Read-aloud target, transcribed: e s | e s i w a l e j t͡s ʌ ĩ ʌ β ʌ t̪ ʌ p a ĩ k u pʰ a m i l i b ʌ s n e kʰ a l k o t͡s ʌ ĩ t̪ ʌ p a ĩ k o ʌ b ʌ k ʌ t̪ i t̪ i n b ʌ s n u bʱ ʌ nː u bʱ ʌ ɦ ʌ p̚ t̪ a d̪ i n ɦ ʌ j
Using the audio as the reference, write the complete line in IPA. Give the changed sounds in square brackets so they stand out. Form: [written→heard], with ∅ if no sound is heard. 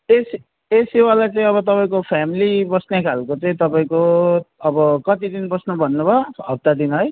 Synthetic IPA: e s | e s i w a l [e→a] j t͡s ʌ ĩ ʌ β ʌ t̪ ʌ p a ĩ k [u→o] pʰ a m i l i b ʌ s n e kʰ a l k o t͡s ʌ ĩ t̪ ʌ p a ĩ k o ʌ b ʌ k ʌ t̪ i [t̪→d̪] i n b ʌ s n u bʱ ʌ nː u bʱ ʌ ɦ ʌ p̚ t̪ a d̪ i n ɦ ʌ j